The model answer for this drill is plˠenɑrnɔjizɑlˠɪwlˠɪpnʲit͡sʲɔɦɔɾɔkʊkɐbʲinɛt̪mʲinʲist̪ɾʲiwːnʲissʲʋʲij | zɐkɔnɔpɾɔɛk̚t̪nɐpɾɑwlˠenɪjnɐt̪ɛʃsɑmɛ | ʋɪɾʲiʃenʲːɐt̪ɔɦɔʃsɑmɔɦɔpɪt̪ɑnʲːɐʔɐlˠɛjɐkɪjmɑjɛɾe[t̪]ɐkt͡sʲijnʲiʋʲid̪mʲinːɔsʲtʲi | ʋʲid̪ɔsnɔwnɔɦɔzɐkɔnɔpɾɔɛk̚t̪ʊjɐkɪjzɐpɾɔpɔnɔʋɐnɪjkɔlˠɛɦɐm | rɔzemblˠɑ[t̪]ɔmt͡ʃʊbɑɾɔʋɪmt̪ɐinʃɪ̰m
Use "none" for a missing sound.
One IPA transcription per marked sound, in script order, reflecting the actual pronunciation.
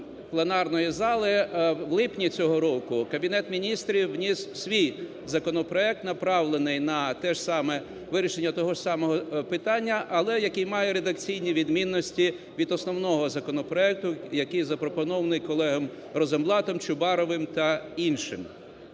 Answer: d̪, t̪

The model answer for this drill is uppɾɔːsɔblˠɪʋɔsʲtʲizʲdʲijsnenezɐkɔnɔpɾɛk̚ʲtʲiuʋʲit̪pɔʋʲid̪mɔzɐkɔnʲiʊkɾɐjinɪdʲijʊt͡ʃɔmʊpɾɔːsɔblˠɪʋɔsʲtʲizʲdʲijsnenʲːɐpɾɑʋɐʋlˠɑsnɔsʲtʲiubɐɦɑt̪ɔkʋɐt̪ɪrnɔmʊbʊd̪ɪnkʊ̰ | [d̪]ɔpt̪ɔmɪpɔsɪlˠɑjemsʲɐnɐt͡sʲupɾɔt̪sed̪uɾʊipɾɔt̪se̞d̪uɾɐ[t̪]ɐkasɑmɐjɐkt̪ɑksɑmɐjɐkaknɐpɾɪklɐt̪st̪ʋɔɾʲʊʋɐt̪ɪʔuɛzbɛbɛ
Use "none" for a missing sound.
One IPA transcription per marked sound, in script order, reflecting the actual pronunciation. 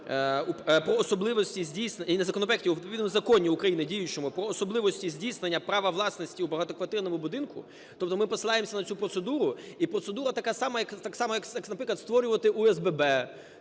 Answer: t̪, t̪

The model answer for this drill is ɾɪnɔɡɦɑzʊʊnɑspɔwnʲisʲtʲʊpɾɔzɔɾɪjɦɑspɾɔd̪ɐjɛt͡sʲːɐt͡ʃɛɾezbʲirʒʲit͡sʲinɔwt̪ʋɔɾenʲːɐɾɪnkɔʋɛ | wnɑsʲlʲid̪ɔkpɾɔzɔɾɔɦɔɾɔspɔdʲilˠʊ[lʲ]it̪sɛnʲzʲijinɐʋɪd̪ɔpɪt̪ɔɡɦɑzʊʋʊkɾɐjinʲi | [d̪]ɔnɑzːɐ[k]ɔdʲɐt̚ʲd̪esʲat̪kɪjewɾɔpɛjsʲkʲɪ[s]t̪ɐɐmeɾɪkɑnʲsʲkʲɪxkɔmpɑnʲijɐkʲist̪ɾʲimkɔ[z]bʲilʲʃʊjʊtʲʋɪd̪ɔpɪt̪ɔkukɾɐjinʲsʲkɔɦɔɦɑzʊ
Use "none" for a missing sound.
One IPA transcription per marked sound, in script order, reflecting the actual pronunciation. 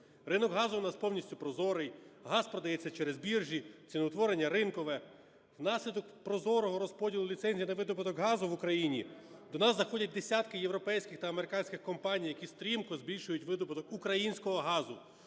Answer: lʲ, d̪, x, x, z

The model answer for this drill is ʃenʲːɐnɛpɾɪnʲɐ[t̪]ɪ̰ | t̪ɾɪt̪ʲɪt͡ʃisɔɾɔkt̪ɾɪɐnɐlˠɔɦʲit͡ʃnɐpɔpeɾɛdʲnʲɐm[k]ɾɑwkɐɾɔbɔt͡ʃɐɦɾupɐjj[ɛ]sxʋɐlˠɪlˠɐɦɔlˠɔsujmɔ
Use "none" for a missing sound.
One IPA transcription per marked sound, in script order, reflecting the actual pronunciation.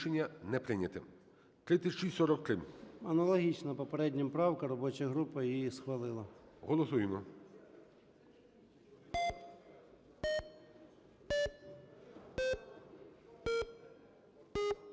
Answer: t̪, p, i

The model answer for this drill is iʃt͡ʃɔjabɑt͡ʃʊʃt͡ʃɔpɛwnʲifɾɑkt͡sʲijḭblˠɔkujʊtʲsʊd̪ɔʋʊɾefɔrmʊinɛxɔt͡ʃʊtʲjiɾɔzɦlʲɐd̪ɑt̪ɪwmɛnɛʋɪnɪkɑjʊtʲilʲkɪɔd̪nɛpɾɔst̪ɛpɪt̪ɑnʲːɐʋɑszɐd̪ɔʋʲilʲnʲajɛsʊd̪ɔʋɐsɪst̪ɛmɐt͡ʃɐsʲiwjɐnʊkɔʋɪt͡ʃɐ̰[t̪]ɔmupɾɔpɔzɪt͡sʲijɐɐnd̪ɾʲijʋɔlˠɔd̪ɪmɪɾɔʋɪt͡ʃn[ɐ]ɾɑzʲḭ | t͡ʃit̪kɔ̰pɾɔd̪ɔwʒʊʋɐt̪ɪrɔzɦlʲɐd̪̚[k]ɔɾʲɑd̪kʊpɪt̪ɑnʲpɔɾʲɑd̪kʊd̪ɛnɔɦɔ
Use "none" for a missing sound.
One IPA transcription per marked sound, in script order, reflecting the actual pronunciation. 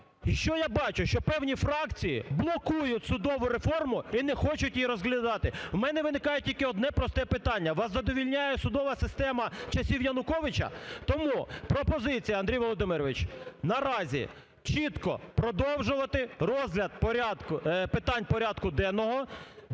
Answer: t̪, ɐ, p

